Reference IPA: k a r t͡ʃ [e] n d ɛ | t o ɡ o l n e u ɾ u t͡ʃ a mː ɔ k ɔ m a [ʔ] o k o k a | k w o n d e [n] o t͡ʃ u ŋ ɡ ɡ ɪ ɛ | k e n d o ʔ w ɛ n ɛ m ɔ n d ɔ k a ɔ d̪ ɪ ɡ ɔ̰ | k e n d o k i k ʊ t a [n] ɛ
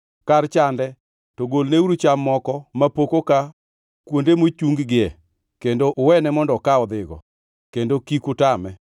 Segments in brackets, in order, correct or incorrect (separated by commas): incorrect, incorrect, incorrect, incorrect